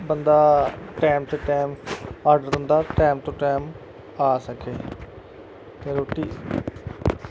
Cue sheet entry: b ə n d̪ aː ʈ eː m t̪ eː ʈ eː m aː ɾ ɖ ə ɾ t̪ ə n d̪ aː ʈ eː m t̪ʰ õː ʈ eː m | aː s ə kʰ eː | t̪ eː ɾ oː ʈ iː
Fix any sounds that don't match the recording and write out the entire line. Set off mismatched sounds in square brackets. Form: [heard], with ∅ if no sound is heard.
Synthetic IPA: b ə n d̪ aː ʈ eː m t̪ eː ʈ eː m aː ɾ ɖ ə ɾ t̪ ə n d̪ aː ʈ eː m [t̪] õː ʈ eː m | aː s ə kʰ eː | t̪ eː ɾ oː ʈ iː